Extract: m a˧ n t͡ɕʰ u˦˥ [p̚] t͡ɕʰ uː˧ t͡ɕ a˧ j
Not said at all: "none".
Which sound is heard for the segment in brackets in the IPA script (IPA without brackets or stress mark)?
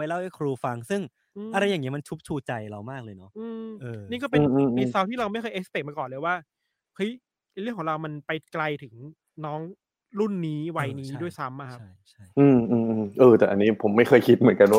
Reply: p̚